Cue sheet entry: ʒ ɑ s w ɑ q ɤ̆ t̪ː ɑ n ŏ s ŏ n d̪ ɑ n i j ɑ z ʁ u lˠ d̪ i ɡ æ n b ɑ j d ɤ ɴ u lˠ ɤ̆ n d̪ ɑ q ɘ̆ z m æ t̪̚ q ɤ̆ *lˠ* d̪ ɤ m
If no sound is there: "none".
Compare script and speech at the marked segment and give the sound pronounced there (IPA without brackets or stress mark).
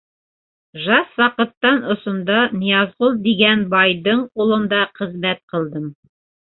lˠ